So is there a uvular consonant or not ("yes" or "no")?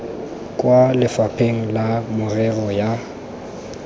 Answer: no